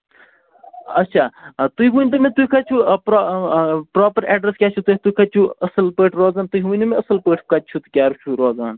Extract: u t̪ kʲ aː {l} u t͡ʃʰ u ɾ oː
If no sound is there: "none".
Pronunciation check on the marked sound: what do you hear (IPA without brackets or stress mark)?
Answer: ɾ